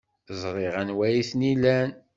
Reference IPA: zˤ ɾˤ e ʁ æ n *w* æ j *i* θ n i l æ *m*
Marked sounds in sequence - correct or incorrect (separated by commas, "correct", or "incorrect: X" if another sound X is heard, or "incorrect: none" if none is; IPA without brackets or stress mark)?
correct, correct, incorrect: n